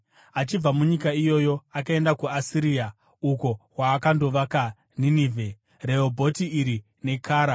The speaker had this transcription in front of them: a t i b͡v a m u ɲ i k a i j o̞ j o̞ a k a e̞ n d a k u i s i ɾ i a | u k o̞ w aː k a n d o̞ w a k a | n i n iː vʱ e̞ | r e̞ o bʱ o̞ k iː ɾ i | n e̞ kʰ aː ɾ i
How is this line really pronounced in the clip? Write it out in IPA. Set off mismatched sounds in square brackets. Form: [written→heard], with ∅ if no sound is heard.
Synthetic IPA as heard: a [t→t͡ʃ] i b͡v a m u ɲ i k a i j o̞ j o̞ a k a e̞ n d a k u [i→a] s i ɾ i a | u k o̞ w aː k a n d o̞ [w→ʋ] a k a | n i n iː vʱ e̞ | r e̞ o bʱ o̞ [k→t] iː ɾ i | n e̞ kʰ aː ɾ [i→a]